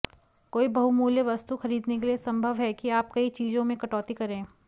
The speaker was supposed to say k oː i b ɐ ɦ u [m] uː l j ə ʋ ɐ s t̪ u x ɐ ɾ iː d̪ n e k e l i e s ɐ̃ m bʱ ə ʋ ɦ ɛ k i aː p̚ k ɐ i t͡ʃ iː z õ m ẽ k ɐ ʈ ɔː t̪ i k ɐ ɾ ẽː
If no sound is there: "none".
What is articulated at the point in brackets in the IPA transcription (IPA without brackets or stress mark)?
m